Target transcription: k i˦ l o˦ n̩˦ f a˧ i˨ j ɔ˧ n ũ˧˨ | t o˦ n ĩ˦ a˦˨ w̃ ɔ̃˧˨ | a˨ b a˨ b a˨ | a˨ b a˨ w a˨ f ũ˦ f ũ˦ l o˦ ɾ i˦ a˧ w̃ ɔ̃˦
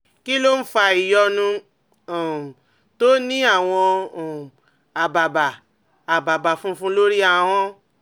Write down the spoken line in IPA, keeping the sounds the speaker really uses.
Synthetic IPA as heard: k i˦ l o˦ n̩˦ f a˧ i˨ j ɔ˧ n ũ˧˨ | t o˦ n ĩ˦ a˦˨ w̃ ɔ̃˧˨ | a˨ b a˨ b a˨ | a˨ b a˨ b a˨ f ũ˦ f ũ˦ l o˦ ɾ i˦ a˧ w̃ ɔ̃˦